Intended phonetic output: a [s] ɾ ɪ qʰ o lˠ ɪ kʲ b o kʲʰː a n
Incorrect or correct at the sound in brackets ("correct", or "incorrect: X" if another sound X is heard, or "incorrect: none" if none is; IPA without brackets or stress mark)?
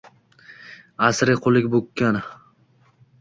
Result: correct